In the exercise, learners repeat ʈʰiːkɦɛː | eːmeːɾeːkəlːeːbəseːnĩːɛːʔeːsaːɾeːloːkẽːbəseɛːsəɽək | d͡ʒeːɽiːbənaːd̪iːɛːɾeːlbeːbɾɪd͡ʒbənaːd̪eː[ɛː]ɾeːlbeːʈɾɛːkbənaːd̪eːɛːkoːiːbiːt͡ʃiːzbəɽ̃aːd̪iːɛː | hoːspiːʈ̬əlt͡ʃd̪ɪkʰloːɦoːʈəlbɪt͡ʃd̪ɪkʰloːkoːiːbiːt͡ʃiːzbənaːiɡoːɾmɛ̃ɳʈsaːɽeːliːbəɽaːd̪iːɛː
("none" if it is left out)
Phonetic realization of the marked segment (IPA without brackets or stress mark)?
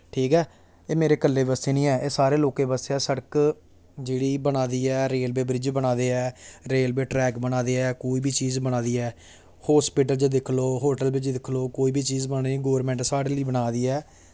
ɛː